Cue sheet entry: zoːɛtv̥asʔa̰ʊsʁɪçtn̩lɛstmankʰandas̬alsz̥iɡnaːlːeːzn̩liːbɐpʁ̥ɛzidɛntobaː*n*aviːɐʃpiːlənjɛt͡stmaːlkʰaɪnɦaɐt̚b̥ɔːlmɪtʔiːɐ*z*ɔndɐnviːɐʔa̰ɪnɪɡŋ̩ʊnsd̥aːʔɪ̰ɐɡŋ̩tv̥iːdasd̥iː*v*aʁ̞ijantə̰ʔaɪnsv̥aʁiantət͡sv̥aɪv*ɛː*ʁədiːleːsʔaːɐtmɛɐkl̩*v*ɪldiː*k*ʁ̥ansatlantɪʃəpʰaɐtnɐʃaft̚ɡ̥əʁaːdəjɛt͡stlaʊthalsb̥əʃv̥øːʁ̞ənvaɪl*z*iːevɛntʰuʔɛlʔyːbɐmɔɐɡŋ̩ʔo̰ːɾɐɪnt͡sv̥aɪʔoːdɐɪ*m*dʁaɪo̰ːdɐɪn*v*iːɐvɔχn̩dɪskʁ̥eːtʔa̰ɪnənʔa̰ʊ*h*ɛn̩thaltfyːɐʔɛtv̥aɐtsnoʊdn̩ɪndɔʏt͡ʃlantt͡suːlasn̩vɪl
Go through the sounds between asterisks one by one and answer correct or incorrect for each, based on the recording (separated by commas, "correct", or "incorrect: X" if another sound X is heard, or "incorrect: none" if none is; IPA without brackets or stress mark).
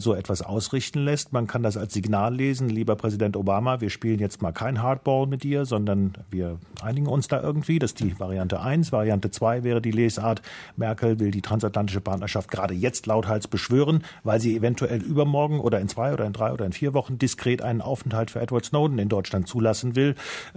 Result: incorrect: m, correct, correct, correct, correct, incorrect: t, correct, incorrect: n, incorrect: f, incorrect: f